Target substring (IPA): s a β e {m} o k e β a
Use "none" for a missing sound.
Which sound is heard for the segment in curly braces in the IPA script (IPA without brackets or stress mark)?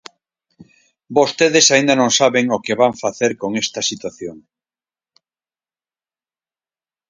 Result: ŋ